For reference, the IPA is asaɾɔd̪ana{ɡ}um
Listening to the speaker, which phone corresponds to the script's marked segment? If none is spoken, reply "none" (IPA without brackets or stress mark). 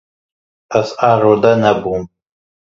b